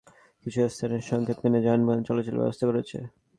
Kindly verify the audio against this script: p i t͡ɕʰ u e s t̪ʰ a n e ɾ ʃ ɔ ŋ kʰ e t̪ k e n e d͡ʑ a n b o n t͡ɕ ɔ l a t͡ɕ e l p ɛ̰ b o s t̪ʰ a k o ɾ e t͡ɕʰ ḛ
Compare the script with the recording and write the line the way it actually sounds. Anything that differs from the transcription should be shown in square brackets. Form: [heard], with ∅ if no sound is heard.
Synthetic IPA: [k] i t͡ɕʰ u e s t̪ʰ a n e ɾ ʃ ɔ ŋ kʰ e t̪ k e n e d͡ʑ a n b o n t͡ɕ ɔ l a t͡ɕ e l [b] ɛ̰ b o s t̪ʰ a k o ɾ e t͡ɕʰ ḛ